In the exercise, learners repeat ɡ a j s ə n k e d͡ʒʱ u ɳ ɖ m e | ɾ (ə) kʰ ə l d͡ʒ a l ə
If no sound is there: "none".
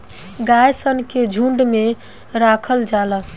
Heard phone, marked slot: a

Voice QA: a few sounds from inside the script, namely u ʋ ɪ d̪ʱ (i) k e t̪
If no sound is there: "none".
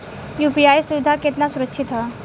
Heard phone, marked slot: a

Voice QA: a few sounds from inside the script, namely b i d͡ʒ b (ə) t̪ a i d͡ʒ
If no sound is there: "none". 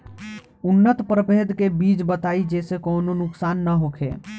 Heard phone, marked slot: ə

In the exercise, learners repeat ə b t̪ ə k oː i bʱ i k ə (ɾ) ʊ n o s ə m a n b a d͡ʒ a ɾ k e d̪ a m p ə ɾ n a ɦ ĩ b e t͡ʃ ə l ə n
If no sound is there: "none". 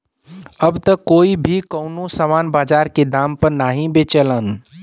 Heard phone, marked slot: none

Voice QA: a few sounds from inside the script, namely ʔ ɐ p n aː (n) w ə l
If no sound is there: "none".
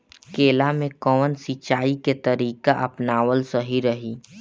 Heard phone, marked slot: none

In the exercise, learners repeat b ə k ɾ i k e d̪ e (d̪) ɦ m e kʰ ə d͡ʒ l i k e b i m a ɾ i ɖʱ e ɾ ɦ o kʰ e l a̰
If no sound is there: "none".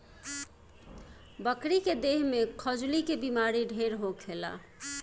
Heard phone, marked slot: none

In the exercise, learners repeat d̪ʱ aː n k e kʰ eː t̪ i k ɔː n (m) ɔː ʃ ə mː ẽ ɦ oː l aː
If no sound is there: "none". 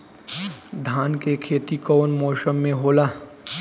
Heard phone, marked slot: m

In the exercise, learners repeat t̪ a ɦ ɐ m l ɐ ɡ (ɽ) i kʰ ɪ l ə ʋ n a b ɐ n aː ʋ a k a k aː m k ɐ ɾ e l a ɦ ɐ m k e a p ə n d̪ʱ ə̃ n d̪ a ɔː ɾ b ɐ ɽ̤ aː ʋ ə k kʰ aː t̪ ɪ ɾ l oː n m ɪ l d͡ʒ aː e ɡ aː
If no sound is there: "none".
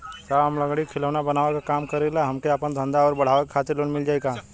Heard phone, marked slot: ɽ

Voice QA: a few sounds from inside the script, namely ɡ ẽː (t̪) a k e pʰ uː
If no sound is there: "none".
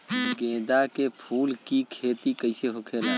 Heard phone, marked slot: d̪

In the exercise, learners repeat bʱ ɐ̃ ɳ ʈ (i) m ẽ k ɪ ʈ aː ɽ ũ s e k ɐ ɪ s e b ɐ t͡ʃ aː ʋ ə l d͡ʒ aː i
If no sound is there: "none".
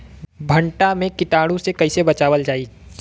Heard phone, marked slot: a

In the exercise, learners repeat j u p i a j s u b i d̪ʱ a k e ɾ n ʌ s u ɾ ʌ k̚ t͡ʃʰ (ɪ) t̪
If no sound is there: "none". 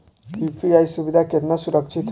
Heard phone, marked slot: i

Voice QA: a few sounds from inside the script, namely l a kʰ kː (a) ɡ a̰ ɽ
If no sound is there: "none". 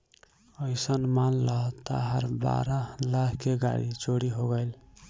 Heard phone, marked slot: e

